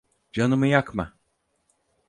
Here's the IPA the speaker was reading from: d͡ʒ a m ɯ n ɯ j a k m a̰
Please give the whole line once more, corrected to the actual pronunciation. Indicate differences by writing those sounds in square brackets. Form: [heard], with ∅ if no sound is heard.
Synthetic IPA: d͡ʒ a [n] ɯ [m] ɯ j a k m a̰